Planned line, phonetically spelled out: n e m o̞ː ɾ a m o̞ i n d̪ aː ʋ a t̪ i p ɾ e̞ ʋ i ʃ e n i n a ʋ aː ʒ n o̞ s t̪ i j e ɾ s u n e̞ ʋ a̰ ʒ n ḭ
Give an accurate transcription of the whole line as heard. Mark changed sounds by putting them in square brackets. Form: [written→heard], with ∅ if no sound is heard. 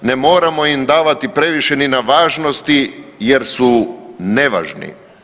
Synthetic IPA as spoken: n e m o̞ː ɾ a m o̞ i [n→m] d̪ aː ʋ a t̪ i p ɾ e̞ ʋ i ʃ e n i n a ʋ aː ʒ n o̞ s t̪ i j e ɾ s u n e̞ ʋ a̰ ʒ n ḭ